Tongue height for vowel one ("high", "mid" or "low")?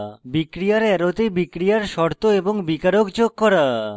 high